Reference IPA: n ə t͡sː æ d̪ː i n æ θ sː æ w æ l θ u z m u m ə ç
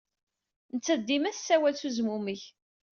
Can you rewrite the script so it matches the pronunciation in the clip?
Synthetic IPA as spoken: n ə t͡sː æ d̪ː i m æ θ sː æ w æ l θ u z m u m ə ç